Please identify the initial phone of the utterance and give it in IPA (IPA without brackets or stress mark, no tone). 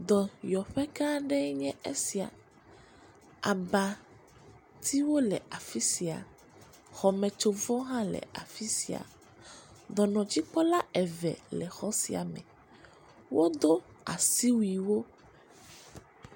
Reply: d̪